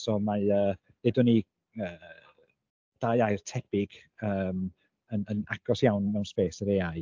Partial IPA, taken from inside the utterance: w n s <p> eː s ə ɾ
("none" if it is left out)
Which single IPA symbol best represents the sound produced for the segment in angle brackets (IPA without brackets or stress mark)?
p